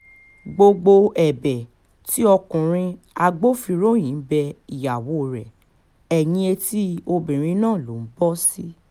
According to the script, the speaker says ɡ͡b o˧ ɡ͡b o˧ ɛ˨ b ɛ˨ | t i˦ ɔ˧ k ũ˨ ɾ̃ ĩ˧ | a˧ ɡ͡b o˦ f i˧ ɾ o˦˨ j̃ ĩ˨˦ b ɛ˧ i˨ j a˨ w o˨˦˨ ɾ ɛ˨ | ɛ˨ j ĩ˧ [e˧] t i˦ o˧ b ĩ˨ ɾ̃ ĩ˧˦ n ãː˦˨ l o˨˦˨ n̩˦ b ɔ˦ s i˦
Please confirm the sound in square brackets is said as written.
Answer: yes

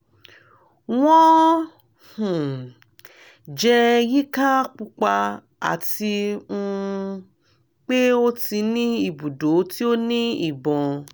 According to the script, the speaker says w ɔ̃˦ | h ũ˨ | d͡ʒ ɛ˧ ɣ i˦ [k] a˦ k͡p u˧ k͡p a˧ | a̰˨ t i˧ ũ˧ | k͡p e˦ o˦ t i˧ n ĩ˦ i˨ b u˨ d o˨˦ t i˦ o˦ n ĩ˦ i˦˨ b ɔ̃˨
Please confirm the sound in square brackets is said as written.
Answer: yes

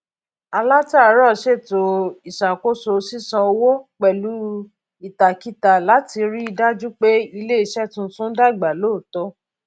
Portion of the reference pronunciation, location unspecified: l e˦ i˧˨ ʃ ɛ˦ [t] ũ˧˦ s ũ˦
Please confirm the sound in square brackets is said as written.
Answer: yes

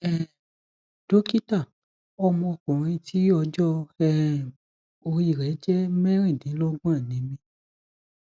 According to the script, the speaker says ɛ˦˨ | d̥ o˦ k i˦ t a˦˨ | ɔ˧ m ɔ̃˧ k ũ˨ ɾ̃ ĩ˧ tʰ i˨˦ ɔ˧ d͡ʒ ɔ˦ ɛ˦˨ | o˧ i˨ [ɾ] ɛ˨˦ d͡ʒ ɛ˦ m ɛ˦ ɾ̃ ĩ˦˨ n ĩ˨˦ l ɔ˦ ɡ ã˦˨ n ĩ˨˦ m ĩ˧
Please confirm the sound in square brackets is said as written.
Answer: yes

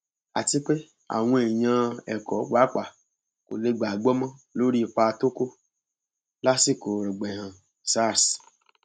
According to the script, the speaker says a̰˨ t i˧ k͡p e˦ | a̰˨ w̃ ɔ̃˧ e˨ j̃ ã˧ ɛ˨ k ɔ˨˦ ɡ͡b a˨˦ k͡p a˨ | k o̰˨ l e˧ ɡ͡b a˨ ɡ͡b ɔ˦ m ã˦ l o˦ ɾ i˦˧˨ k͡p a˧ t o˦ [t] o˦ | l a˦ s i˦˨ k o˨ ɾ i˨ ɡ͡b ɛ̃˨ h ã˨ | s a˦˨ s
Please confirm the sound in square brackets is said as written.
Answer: no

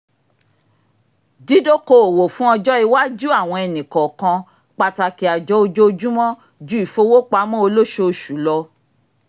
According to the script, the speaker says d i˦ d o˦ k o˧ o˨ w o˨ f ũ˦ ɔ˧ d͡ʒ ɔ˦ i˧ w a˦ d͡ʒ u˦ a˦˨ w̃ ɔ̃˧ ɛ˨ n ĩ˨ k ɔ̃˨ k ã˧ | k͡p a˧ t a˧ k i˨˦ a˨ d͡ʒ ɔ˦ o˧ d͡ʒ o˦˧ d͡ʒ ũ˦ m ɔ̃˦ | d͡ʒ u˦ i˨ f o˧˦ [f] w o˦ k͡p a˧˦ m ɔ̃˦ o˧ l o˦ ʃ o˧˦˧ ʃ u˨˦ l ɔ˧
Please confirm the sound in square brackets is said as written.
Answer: no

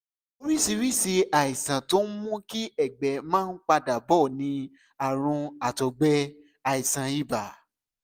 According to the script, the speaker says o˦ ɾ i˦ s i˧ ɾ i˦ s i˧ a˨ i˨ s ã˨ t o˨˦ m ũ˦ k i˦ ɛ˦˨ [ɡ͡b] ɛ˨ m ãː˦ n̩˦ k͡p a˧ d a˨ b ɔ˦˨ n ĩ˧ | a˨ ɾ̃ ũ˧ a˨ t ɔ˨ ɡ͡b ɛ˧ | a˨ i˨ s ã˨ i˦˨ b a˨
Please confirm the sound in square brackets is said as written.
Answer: yes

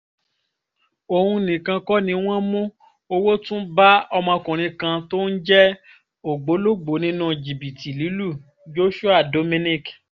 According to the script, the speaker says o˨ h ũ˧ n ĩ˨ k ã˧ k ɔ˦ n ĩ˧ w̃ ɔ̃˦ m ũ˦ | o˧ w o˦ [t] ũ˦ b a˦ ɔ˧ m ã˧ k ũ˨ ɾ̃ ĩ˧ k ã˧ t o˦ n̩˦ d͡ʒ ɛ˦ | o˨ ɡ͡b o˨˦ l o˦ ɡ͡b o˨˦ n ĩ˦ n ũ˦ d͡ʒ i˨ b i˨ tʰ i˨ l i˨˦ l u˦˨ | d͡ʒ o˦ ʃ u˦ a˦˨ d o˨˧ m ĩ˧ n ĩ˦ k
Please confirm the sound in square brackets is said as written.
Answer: yes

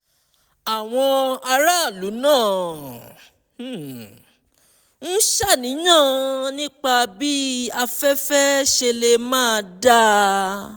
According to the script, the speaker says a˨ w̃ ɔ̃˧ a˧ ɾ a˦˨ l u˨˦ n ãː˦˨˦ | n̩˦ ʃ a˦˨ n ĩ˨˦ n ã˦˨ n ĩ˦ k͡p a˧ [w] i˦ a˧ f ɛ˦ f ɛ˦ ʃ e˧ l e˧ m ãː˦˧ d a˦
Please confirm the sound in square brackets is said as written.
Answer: no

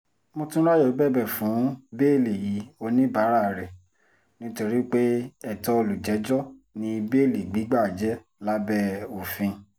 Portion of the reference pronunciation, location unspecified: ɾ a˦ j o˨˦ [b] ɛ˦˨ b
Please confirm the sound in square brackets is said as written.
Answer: yes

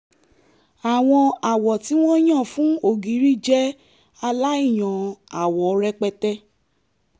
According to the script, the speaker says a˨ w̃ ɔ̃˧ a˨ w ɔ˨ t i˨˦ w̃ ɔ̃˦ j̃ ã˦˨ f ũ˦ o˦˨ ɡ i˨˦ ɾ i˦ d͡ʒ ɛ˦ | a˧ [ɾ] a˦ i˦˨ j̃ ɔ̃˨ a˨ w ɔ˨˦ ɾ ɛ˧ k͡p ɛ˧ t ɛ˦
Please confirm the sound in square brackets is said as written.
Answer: no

